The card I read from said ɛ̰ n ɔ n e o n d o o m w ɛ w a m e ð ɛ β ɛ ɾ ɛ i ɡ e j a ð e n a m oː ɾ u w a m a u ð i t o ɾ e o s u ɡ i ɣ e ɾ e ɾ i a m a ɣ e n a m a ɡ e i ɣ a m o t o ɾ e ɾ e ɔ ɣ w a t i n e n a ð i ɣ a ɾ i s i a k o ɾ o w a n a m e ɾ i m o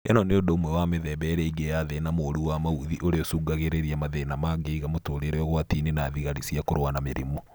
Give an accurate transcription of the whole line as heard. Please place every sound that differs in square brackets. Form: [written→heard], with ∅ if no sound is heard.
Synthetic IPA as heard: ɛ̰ n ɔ n e o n d o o m w ɛ w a m e ð ɛ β ɛ ɾ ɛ i ɡ e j a ð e n a m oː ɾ u w a m a u ð i [t→ʔ] o ɾ e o s u ɡ [i→a] ɣ e ɾ e ɾ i a m a [ɣ→ð] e n a m a ɡ e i ɣ a m o t o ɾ e ɾ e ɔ ɣ w a t i n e n a ð i ɣ a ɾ i s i a k o ɾ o w a n a m e ɾ i m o